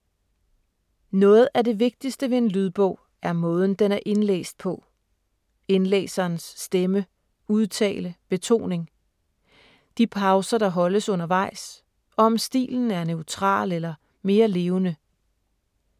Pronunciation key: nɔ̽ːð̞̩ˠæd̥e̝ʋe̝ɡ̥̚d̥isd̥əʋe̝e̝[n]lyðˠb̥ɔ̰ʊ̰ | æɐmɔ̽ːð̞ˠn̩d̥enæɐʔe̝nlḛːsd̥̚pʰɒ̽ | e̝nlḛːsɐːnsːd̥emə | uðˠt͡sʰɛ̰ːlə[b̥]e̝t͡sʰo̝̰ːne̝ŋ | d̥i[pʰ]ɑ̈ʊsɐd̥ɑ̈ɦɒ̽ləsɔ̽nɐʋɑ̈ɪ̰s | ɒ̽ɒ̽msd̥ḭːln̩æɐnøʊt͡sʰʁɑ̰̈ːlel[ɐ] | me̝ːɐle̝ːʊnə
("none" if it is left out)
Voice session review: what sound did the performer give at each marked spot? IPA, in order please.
n, b̥, pʰ, ɐ

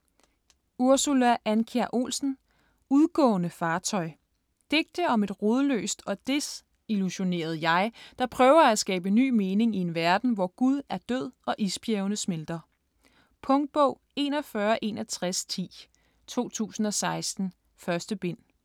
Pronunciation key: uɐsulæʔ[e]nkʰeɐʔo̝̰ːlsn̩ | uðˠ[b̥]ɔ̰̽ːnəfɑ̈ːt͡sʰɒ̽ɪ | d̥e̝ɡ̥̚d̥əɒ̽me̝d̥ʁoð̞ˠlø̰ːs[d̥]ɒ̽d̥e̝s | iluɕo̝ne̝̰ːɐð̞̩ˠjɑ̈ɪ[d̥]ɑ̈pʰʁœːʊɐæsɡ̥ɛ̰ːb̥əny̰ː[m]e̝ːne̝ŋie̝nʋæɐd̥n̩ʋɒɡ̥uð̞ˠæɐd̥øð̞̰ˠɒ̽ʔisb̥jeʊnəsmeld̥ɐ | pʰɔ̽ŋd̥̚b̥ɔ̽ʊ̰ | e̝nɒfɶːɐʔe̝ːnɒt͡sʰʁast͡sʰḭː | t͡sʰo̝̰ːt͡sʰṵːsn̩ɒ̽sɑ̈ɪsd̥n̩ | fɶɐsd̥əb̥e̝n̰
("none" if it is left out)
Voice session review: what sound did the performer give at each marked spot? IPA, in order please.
æ, ɡ̥, d̥, d̥, m

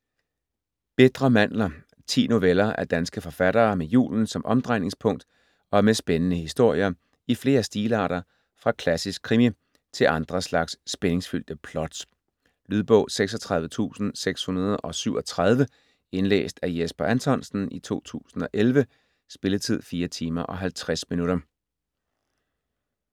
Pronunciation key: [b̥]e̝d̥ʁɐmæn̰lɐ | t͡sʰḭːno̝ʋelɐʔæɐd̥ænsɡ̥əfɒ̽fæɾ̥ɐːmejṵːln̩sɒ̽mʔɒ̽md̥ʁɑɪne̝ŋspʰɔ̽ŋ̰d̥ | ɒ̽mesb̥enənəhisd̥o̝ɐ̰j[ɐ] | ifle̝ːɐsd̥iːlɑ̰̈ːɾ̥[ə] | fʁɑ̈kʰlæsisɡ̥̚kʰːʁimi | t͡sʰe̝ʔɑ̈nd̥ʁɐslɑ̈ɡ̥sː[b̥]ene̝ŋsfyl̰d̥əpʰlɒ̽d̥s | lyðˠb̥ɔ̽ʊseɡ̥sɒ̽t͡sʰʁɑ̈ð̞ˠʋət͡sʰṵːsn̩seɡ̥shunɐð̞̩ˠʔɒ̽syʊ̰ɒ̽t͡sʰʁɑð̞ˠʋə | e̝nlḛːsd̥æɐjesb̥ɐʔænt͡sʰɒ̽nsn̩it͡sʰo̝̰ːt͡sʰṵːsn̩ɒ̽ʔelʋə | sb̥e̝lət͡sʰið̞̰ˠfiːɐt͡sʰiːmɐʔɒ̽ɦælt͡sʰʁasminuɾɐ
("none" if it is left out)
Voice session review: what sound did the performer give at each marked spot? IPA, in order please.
b̥, ɐ, ɐ, b̥

